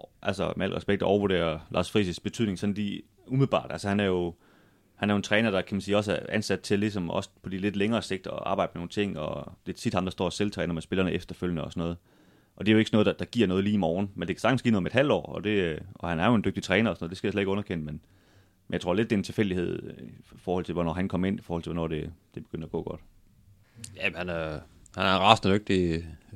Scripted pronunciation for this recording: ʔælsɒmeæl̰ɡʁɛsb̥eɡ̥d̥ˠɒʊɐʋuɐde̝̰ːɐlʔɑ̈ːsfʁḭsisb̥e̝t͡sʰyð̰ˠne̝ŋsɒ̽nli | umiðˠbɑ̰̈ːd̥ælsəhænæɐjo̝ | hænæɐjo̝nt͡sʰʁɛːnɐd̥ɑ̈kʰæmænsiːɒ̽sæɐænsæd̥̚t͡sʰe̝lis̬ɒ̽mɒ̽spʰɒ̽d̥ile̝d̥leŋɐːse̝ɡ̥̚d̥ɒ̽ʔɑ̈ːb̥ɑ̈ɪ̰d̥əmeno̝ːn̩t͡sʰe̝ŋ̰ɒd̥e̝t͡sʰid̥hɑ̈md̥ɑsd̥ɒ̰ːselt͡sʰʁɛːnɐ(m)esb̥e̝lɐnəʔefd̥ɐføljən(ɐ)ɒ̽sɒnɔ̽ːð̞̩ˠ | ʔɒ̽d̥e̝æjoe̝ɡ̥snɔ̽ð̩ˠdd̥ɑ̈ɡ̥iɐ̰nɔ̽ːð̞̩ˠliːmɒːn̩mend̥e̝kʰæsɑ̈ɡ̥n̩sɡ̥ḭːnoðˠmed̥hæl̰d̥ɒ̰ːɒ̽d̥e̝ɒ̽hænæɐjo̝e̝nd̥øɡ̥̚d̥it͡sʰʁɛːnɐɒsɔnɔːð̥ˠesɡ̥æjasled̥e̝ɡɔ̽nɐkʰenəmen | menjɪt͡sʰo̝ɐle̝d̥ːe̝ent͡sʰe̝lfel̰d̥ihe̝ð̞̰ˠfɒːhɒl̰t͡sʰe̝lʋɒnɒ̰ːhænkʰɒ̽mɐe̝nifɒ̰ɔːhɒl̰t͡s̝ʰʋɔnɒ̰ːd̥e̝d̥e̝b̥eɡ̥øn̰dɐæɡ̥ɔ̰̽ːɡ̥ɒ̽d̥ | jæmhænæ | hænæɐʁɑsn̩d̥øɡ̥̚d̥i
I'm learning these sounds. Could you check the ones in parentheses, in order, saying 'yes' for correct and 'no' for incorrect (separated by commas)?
yes, no